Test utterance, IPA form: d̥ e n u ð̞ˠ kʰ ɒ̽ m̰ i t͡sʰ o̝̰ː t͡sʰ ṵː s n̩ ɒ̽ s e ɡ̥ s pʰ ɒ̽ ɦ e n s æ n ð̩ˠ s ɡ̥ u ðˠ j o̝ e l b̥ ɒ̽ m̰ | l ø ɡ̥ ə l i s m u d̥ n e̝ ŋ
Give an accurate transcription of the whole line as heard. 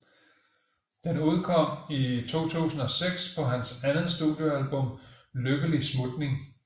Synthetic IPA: d̥ e n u ð̞ˠ kʰ ɒ̽ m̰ i t͡sʰ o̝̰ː t͡sʰ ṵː s n̩ ɒ̽ s e ɡ̥ s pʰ ɒ̽ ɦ æ n s æ n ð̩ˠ s d̥ u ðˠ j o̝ æ l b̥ ɔ̽ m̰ | l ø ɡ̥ ə l i s m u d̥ n e̝ ŋ